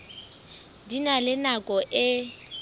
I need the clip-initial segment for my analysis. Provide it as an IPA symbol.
d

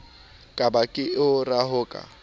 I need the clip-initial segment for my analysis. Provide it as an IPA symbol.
kʼ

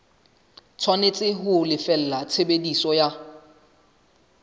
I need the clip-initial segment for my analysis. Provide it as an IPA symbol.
t͡sʰ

